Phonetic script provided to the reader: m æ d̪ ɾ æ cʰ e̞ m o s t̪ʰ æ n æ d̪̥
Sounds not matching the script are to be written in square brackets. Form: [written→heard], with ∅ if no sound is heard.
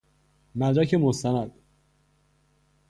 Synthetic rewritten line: m æ d̪ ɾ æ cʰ e̞ m o s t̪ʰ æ n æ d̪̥